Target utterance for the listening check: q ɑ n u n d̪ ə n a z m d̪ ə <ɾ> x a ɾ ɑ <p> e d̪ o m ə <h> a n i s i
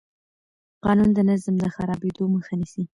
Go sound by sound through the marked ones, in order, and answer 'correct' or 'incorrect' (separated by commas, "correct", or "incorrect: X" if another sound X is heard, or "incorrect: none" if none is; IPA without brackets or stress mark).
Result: incorrect: none, incorrect: b, incorrect: x